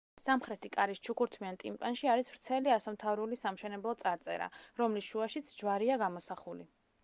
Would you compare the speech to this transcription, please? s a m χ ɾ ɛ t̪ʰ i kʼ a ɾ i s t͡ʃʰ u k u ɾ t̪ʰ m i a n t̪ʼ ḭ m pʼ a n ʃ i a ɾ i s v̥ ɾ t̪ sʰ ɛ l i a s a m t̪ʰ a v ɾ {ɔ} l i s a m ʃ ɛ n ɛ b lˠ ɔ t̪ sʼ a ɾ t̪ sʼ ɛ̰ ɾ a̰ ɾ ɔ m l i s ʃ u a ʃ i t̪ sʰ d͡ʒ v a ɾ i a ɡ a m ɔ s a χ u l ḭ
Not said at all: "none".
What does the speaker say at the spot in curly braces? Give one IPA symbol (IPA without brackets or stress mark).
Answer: u